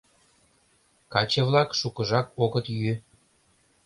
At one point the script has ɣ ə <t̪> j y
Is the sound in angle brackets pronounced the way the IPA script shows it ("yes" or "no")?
yes